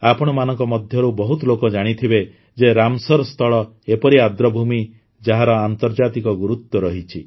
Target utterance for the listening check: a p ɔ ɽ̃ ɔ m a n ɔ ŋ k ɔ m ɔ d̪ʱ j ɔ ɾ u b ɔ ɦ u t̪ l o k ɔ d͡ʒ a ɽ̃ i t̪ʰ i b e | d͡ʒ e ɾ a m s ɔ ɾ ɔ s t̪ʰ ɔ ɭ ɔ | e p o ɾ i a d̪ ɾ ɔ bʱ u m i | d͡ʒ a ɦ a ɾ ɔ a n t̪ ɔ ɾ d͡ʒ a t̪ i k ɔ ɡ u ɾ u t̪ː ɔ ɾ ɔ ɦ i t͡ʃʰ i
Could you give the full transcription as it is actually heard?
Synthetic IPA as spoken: a p ɔ ɽ̃ ɔ m a n ɔ ŋ k ɔ m ɔ d̪ʱ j ɔ ɾ u b ɔ ɦ u t̪ l o k ɔ d͡ʒ a ɽ̃ i t̪ʰ i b e | d͡ʒ e ɾ a m s ɔ ɾ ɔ s t̪ʰ ɔ ɭ ɔ | e p ɔ ɾ i a d̪ ɾ ɔ bʱ u m i | d͡ʒ a ɦ a ɾ ɔ a n t̪ ɔ ɾ d͡ʒ a t̪ i k ɔ ɡ u ɾ u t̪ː ɔ ɾ ɔ ɦ i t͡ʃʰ i

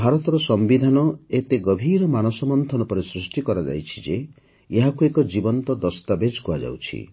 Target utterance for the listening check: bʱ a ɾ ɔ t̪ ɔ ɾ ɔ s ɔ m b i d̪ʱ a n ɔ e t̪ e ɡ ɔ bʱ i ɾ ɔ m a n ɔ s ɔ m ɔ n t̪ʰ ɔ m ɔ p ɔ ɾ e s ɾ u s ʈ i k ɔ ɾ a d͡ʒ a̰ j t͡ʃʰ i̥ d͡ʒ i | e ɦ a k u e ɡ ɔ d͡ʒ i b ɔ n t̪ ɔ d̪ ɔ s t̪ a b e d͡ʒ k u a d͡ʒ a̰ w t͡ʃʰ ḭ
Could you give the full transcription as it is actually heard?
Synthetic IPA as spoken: bʱ a ɾ ɔ t̪ ɔ ɾ ɔ s ɔ m b i d̪ʱ a n ɔ e t̪ e ɡ ɔ bʱ i ɾ ɔ m a n ɔ s ɔ m ɔ n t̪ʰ ɔ n ɔ p ɔ ɾ e s ɾ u s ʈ i k ɔ ɾ a d͡ʒ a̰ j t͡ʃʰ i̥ d͡ʒ e | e ɦ a k u e k ɔ d͡ʒ i b ɔ n t̪ ɔ d̪ ɔ s t̪ a b e d͡ʒ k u a d͡ʒ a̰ w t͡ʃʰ ḭ

